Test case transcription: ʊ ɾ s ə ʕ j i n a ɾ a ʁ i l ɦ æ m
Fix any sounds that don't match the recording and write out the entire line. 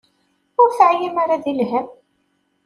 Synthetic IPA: ʊ ɾ θ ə ʕ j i m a ɾ a ð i l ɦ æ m